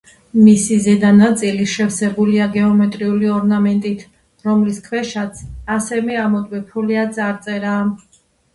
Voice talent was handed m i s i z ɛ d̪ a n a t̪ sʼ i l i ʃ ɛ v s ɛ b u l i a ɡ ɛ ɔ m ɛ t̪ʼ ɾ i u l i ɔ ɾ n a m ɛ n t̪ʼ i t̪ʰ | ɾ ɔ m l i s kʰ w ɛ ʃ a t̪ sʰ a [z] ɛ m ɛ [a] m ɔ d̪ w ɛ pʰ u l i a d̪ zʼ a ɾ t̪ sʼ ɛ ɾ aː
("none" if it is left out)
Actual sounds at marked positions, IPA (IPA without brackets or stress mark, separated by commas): s, a